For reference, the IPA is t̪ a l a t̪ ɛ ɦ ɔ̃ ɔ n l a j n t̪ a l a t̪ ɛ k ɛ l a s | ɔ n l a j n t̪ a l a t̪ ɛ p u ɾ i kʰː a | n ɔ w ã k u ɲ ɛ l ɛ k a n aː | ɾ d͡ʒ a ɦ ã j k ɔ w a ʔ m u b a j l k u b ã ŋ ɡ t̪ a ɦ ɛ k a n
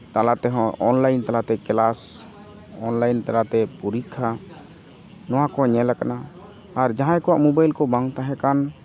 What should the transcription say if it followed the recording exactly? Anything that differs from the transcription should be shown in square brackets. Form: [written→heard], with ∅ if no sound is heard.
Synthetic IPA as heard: t̪ a l a t̪ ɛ ɦ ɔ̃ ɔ n l a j n t̪ a l a t̪ ɛ k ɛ l a s | ɔ n l a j n t̪ a l a t̪ ɛ p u ɾ i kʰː a | n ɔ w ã k [u→ɔ] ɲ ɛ l [ɛ→a] k a n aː | ɾ d͡ʒ a ɦ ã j k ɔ w a ʔ m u b a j l k [u→ɔ] b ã ŋ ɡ t̪ a ɦ ɛ k a n

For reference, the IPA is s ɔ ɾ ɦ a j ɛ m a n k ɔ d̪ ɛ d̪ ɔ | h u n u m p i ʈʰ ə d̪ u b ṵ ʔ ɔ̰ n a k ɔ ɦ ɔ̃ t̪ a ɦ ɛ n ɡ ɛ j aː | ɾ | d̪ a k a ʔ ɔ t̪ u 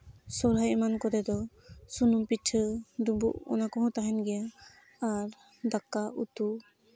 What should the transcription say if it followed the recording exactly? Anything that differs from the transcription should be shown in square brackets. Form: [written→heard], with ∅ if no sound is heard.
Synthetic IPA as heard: s ɔ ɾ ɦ a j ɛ m a n k ɔ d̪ ɛ d̪ ɔ | [h→s] u n u m p i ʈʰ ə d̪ u b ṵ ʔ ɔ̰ n a k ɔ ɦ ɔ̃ t̪ a ɦ ɛ n ɡ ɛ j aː | ɾ | d̪ a k a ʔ [ɔ→u] t̪ u

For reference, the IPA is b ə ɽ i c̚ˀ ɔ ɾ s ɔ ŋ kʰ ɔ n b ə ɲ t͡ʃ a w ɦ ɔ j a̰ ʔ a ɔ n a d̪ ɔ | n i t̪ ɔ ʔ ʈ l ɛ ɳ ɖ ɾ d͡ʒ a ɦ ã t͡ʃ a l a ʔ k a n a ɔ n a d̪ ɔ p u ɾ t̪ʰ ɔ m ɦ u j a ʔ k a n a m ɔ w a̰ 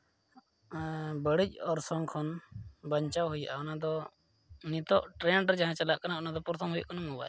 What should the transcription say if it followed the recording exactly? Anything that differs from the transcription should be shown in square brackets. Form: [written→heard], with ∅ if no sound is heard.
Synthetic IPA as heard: b ə ɽ i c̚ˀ ɔ ɾ s ɔ ŋ kʰ ɔ n b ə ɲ t͡ʃ a w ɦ [ɔ→u] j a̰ ʔ a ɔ n a d̪ ɔ | n i t̪ ɔ ʔ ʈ [l→ɾ] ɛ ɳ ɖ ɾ d͡ʒ a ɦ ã t͡ʃ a l a ʔ k a n a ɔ n a d̪ ɔ p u ɾ t̪ʰ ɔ m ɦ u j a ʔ k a n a m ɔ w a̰

